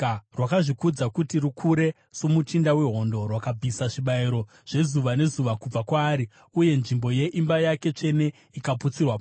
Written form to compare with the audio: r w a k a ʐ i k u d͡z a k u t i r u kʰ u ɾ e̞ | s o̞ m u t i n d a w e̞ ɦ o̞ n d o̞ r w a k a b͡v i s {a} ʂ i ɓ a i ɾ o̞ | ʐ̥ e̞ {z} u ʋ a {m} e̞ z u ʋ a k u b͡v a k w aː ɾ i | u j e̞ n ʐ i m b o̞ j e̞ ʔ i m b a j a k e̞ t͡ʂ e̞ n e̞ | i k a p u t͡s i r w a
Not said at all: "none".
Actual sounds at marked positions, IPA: a, z, n

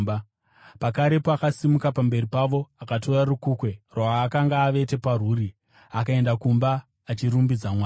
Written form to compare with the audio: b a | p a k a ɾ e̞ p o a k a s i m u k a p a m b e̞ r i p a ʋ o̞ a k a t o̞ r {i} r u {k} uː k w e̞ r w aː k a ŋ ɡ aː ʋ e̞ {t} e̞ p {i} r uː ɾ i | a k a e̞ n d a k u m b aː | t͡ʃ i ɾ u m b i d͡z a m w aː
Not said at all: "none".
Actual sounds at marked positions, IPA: a, k, t, a

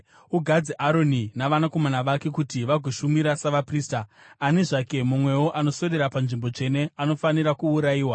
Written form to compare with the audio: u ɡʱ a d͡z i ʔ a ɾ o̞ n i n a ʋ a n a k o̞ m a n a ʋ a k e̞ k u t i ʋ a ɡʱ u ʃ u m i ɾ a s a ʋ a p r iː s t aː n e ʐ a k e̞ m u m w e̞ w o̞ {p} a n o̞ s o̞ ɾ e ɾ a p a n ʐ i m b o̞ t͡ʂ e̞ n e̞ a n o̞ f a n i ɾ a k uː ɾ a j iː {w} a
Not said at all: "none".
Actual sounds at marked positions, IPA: ʔ, w

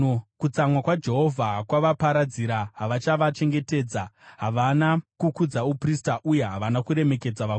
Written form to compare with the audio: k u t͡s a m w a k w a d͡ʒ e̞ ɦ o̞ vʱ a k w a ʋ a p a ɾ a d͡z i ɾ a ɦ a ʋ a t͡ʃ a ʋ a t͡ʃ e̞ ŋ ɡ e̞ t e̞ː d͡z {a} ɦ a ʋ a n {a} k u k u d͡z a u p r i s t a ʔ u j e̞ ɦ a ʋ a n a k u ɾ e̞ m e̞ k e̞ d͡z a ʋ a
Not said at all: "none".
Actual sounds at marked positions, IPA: a, a

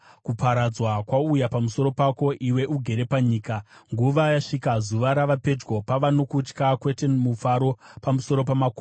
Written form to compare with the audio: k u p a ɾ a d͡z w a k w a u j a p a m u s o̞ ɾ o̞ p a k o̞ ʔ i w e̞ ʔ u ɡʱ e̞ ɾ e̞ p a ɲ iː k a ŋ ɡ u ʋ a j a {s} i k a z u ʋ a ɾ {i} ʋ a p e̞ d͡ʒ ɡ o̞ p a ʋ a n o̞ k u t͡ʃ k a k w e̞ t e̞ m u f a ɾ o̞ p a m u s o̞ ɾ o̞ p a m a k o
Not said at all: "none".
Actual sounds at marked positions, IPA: ʂ, a

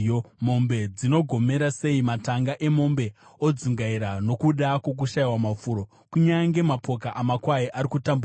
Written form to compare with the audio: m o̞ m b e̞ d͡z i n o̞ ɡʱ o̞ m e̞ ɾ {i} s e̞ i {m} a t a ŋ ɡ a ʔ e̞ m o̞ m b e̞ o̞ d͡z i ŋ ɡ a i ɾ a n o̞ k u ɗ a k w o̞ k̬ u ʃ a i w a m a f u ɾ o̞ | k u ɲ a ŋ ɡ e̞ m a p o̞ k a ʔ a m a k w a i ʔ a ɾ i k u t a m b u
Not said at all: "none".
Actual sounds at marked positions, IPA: a, m

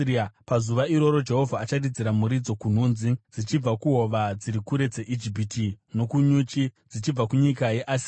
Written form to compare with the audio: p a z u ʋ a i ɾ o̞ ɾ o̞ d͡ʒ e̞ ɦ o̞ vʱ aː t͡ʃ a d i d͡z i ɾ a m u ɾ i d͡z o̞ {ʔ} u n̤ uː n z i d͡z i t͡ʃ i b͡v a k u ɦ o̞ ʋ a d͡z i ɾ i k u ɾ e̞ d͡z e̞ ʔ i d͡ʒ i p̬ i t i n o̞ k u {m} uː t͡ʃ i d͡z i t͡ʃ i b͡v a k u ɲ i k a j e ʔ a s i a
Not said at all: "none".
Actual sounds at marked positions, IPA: k, ɲ

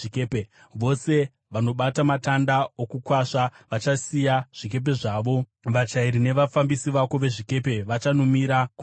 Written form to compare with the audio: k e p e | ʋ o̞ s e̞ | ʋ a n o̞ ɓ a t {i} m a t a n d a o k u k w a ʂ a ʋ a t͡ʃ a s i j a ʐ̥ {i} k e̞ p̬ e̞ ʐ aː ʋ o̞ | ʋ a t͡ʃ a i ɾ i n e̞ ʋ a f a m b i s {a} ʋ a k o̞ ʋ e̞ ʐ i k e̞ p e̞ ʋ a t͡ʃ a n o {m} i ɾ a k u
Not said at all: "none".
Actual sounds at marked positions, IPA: a, i, i, m

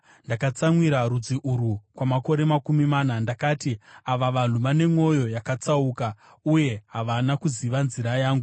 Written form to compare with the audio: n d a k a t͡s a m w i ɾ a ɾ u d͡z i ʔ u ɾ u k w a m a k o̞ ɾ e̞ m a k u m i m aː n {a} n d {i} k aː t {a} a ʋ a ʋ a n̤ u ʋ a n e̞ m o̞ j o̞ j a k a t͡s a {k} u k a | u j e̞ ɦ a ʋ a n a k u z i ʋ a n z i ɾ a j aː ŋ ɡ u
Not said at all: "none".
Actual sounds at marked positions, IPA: a, a, i, none

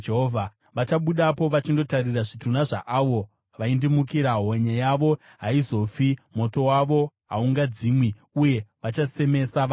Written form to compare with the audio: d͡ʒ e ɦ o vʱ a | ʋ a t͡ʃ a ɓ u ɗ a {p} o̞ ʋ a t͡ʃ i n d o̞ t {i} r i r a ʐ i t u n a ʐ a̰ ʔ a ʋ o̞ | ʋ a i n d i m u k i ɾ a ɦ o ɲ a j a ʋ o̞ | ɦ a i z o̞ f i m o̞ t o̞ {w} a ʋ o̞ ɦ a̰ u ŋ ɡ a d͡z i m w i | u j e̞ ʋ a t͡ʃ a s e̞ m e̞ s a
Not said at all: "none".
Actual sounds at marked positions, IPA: p, a, w

